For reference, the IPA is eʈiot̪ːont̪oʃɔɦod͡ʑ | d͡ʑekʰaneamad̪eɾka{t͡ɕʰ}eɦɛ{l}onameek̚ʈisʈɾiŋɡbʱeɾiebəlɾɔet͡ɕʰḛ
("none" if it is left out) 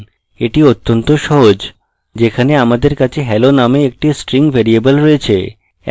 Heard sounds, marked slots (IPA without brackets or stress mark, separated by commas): t͡ɕʰ, l